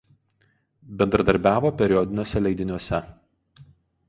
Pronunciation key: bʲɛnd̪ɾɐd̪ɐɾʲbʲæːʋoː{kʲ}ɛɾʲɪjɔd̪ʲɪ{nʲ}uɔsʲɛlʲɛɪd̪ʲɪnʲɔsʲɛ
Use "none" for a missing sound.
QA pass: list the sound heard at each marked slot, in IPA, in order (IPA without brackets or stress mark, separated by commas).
pʲ, nʲ